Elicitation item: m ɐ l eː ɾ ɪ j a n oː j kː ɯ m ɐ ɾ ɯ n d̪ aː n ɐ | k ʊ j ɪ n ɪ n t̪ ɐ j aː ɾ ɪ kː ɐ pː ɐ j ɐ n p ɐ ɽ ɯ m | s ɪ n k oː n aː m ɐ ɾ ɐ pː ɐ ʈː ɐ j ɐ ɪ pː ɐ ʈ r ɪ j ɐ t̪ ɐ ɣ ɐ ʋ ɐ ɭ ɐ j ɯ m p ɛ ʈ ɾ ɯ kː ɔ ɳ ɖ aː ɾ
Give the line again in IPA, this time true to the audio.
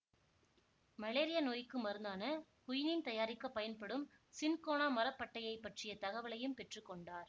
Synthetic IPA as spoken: m ɐ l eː ɾ ɪ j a n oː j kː ɯ m ɐ ɾ ɯ n d̪ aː n ɐ | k ʊ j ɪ n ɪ n t̪ ɐ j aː ɾ ɪ kː ɐ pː ɐ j ɐ n p ɐ ɽ ɯ m | s ɪ n k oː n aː m ɐ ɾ ɐ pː ɐ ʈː ɐ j ɐ ɪ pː ɐ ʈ r ɪ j ɐ t̪ ɐ ɣ ɐ ʋ ɐ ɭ ɐ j ɯ m p ɛ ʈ r ɯ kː ɔ ɳ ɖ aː ɾ